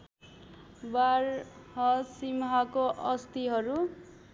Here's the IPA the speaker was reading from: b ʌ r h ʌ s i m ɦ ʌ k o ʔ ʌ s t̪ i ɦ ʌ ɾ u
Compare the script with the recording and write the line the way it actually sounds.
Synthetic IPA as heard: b a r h ʌ s i m ɦ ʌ k o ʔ ʌ s t̪ i ɦ ʌ ɾ u